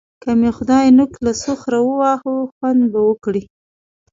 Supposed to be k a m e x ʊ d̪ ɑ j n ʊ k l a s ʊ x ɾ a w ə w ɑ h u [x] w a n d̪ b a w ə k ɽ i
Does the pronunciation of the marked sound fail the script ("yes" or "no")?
no